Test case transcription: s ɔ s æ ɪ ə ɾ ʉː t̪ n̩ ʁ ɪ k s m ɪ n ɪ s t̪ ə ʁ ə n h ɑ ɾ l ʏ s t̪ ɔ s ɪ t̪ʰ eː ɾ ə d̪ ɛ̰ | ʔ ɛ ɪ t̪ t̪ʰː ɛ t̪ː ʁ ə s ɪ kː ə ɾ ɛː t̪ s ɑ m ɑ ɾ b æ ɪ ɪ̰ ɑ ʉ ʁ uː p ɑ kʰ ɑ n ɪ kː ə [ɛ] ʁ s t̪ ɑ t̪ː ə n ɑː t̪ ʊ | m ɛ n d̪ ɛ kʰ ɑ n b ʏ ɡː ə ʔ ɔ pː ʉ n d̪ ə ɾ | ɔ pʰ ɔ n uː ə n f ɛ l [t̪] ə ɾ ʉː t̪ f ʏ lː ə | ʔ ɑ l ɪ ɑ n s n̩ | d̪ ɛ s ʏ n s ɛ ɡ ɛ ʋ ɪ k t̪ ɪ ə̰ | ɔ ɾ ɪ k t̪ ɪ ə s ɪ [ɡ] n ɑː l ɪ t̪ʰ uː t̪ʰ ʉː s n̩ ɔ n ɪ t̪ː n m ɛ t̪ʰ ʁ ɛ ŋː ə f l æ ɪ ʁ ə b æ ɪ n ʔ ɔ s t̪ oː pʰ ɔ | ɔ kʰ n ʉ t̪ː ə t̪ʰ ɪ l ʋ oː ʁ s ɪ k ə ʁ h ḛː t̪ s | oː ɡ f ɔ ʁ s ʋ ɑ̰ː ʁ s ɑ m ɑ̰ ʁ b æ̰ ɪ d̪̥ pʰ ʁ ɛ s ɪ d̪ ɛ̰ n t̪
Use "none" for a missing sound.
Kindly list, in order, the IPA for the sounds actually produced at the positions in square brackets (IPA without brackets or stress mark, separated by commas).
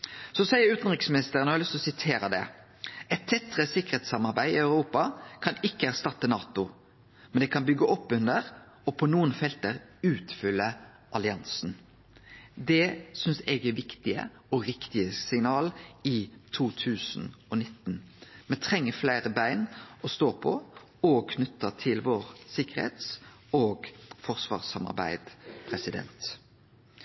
æ, t̪, ŋ